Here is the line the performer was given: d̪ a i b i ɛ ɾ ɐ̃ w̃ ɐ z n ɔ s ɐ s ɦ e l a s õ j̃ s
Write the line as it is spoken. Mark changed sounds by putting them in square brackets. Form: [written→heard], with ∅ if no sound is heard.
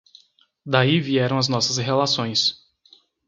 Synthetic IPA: d̪ a i [b→v] i ɛ ɾ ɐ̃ w̃ ɐ z n ɔ s ɐ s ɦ e l a s õ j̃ s